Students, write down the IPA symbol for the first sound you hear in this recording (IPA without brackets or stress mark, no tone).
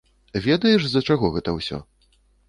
vʲ